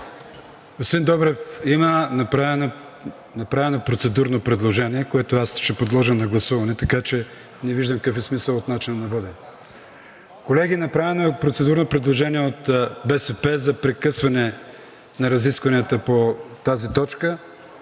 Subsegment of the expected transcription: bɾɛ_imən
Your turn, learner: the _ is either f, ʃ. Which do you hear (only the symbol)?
f